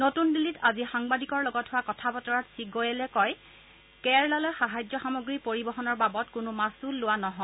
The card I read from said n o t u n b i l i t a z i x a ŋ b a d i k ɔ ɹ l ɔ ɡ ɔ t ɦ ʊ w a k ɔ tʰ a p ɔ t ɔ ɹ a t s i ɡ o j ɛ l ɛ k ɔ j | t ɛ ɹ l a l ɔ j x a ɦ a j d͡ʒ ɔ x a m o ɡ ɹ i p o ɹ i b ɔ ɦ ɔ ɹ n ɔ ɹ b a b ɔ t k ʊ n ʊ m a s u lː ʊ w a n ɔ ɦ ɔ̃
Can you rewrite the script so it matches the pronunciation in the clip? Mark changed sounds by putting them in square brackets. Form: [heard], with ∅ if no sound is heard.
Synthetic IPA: n o t u n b i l i t a z i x a ŋ b a d i k ɔ ɹ l ɔ ɡ ɔ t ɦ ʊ w a k ɔ tʰ a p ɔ t ɔ ɹ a t s i ɡ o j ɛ l ɛ k ɔ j | [k] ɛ ɹ l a l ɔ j x a ɦ a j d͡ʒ ɔ x a m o ɡ ɹ i p o ɹ i b ɔ ɦ ɔ [∅] n ɔ ɹ b a b ɔ t k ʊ n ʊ m a s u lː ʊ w a n ɔ ɦ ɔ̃

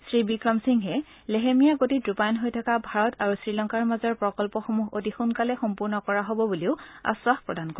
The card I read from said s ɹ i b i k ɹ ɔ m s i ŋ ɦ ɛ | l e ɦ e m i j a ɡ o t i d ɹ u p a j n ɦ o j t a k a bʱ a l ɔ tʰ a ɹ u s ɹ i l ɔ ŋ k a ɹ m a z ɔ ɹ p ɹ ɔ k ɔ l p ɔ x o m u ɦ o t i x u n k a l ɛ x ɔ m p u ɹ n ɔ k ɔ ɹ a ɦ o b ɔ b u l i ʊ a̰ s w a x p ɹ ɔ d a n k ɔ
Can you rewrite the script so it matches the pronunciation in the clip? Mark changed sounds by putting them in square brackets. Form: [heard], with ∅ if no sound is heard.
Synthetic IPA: s ɹ i b i k ɹ ɔ m s i ŋ ɦ ɛ | l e ɦ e m i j a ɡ o t i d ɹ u p a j n ɦ o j [tʰ] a k a bʱ a [ɹ] ɔ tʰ a ɹ u s ɹ i l ɔ ŋ k a ɹ m a z ɔ ɹ p ɹ ɔ k ɔ l p ɔ x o m u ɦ o t i x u n k a l ɛ x ɔ m p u ɹ n ɔ k ɔ ɹ a ɦ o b ɔ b u l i ʊ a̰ s w a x p ɹ ɔ d a n k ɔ

